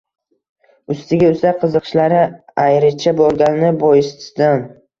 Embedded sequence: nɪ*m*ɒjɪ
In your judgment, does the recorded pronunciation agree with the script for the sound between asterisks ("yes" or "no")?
no